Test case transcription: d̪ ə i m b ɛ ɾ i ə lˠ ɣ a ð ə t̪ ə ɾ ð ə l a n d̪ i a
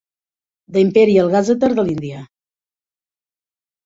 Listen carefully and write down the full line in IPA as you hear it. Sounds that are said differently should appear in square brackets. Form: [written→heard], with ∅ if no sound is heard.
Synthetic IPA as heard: d̪ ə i m [b→p] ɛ ɾ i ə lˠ ɣ a [ð→z] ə t̪ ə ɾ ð ə l [a→i] n d̪ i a